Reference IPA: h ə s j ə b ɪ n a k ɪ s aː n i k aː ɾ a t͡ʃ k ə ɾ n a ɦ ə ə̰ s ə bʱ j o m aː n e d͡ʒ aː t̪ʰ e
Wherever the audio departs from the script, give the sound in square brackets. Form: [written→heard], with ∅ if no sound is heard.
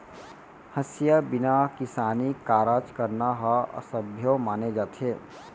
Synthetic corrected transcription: h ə s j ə b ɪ n a k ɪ s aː n i k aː ɾ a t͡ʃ k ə ɾ n a ɦ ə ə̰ s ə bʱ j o m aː n e d͡ʒ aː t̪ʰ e